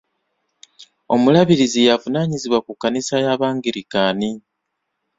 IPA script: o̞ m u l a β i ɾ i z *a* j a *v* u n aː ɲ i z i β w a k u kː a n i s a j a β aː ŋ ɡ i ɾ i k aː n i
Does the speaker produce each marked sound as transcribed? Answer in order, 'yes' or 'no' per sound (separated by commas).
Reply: no, yes